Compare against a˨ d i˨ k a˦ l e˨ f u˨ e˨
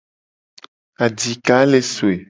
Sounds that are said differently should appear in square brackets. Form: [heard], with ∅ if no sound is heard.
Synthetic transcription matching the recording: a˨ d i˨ k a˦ l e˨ [s] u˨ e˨

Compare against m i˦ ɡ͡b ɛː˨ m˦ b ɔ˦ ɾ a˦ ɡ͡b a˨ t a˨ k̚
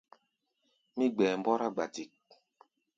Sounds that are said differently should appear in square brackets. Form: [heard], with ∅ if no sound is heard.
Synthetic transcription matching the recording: m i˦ ɡ͡b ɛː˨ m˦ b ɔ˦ ɾ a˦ ɡ͡b a˨ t [i˨] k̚

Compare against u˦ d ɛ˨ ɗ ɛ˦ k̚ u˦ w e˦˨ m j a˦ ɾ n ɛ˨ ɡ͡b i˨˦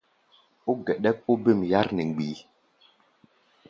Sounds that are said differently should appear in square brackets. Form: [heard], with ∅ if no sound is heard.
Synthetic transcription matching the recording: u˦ [ɡ] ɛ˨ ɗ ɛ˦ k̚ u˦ [b] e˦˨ m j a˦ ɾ n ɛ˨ ɡ͡b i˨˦

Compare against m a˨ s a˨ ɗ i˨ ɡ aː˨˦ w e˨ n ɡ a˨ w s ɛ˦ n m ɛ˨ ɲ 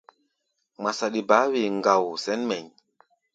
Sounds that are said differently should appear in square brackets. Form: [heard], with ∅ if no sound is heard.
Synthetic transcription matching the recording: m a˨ s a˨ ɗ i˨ [b] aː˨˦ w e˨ [ŋ] ɡ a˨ w s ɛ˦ n m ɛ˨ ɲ

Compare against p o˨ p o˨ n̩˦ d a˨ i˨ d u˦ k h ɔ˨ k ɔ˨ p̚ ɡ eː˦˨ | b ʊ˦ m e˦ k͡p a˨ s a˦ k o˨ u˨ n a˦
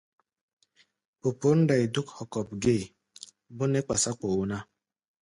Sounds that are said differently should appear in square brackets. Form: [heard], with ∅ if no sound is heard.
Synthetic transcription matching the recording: p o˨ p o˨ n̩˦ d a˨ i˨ d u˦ k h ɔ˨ k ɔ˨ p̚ ɡ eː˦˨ | b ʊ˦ [n] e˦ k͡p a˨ s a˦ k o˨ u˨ n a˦

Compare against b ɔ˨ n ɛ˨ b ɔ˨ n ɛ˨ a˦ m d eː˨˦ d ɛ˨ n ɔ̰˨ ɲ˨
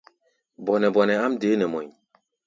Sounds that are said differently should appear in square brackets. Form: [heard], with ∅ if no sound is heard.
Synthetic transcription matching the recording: b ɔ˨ n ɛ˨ b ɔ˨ n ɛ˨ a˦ m d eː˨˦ [n] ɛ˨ [m] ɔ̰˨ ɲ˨

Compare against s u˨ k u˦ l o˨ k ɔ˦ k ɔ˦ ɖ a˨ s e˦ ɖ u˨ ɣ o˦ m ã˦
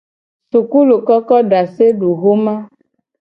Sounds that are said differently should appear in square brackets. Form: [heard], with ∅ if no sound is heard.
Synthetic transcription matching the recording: s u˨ k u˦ l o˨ k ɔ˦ k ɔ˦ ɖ a˨ s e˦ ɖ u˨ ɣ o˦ m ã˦

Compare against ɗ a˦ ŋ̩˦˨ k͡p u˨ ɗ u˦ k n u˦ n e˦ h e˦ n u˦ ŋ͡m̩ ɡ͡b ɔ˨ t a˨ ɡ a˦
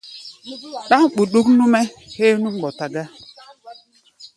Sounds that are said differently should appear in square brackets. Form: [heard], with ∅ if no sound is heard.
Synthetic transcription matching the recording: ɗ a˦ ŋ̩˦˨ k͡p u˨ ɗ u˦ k n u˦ [m] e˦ h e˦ n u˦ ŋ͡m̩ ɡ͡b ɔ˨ t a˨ ɡ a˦

